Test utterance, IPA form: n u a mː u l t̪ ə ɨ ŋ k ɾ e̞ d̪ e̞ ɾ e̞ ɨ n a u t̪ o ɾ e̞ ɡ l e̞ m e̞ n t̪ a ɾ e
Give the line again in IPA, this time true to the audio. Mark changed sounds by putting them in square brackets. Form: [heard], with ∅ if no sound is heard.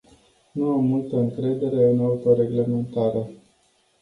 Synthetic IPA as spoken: n u a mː u l t̪ ə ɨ ŋ k ɾ e̞ d̪ e̞ ɾ e̞ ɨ n a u t̪ o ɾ e̞ ɡ l e̞ m e̞ n t̪ a ɾ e